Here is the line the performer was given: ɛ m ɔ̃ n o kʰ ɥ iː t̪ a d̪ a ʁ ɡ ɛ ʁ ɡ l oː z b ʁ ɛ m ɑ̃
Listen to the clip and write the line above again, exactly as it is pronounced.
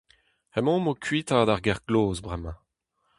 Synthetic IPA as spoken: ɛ m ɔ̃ m o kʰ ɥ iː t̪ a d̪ a ʁ ɡ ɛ ʁ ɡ l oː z b ʁ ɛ m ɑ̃

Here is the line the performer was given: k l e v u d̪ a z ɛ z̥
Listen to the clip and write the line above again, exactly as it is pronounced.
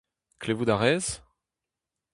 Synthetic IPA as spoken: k l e v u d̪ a ʁ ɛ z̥

